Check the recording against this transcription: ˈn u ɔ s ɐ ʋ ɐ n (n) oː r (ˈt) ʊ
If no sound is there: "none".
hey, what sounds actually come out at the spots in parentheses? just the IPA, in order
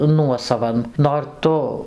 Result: n, t

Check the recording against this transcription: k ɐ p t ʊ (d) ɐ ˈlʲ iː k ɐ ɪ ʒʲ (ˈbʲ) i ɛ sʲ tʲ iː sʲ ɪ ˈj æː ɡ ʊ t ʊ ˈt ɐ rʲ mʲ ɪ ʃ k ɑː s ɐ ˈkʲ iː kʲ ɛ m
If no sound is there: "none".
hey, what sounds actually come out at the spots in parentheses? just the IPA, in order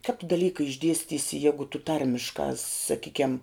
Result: d, dʲ

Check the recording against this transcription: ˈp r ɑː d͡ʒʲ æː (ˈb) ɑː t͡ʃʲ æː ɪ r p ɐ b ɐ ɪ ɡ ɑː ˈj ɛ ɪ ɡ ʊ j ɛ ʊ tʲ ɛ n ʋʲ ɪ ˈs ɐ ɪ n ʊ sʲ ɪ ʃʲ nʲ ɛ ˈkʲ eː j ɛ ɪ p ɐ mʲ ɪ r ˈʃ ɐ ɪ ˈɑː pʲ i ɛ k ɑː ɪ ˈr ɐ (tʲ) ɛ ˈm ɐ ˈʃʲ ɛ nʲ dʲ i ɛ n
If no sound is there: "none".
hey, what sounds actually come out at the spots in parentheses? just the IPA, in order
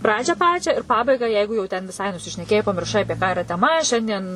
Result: p, tʲ

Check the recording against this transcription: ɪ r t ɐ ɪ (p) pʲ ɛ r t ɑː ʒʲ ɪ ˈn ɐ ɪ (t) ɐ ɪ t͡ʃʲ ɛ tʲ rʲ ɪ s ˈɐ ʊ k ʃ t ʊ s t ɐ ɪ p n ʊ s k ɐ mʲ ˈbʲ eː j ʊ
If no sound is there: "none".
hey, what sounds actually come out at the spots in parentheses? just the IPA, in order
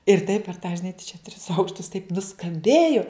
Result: p, t

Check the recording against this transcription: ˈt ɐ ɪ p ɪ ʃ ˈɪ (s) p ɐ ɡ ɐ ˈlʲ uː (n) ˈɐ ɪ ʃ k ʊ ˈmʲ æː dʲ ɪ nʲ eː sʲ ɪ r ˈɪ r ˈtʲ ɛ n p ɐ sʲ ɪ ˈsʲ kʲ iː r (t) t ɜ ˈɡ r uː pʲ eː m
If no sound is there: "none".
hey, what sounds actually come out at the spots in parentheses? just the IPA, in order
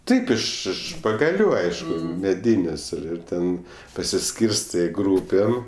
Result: ʃ, none, s

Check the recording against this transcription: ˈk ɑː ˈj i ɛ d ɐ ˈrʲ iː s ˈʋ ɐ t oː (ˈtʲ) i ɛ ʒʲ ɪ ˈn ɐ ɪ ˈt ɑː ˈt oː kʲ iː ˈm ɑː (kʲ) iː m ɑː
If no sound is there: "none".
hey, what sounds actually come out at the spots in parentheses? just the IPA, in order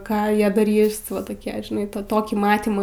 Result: kʲ, tʲ

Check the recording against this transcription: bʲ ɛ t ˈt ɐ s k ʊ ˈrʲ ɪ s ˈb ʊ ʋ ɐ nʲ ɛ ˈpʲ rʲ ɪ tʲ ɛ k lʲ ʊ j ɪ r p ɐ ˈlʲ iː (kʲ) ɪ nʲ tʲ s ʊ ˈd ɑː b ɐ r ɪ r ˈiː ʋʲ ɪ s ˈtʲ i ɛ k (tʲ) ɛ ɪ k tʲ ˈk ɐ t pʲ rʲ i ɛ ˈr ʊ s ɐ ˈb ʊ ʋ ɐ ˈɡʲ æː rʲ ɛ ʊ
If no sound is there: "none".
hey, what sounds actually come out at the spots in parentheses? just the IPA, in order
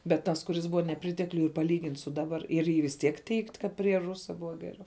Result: ɡʲ, tʲ

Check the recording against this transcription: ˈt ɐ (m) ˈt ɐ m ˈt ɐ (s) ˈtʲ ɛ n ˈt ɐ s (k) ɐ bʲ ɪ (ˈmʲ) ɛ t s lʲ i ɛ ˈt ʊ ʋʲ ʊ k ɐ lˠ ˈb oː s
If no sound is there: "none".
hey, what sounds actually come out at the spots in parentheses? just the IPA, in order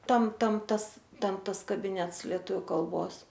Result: m, s, k, nʲ

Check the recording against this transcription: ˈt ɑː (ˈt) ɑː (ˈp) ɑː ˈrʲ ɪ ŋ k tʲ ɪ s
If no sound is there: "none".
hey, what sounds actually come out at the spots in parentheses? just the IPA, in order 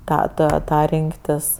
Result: t, t

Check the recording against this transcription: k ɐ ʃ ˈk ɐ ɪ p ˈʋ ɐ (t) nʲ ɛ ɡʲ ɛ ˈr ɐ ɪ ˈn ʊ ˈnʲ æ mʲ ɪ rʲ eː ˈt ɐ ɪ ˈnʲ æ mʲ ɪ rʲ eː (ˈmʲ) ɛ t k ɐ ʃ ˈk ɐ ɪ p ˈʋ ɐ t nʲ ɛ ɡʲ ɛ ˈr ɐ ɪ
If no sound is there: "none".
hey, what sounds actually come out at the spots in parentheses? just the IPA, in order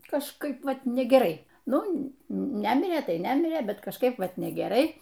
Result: t, bʲ

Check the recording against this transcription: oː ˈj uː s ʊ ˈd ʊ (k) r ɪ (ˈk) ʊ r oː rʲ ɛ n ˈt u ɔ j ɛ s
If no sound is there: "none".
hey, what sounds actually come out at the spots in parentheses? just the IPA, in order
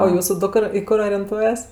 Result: k, k

